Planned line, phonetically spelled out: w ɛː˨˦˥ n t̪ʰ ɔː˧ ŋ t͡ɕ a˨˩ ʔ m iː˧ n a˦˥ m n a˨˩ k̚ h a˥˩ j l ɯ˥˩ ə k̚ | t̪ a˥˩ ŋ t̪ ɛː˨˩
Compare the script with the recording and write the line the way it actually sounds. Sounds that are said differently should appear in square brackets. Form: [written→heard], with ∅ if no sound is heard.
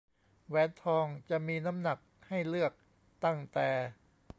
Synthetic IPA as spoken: w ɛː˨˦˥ n t̪ʰ ɔː˧ ŋ t͡ɕ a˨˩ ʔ m iː˧ n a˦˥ m n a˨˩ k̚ h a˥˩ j l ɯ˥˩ ə k̚ | t̪ a˥˩ ŋ t̪ ɛː˨˩